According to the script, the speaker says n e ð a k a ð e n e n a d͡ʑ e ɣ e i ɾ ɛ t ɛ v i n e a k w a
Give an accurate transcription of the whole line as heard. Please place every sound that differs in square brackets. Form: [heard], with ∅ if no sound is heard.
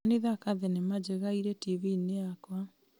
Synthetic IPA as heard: n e ð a k a ð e n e [m] a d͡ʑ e ɣ [a] i ɾ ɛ t [i] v i n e a k w a